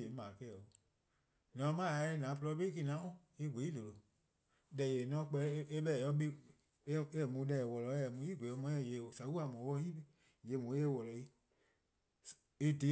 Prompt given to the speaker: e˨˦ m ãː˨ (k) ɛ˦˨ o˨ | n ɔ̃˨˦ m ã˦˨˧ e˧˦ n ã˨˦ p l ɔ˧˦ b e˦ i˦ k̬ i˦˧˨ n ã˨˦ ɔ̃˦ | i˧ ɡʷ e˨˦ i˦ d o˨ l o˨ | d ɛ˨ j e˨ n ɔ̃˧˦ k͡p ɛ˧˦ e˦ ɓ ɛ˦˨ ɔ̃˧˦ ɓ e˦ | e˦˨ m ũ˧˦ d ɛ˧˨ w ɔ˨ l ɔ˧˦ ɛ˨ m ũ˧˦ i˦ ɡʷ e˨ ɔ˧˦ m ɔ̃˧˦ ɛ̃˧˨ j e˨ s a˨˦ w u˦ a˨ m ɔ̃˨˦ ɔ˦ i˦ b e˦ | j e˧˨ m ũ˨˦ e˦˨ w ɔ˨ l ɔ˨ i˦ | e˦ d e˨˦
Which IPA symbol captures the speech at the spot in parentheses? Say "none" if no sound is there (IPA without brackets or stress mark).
k